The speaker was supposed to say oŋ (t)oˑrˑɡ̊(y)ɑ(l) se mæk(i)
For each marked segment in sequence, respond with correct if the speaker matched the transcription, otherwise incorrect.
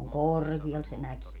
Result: incorrect: k, incorrect: i, correct, correct

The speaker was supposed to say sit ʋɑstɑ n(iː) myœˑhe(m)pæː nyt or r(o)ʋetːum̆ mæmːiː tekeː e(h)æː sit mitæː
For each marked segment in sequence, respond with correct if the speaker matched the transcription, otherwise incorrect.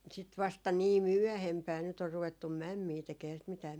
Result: correct, correct, incorrect: u, correct

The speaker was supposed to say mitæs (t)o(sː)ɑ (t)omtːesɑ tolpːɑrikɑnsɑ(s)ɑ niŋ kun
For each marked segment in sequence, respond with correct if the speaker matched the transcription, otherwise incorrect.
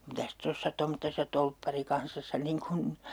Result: correct, correct, correct, incorrect: sː

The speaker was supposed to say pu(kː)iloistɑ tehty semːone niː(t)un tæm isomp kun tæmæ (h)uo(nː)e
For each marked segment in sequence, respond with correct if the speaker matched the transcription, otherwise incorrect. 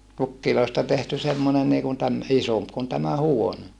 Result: correct, incorrect: k, correct, incorrect: n

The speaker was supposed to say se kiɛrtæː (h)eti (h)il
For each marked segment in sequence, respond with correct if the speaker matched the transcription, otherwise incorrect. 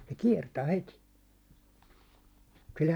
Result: correct, incorrect: s

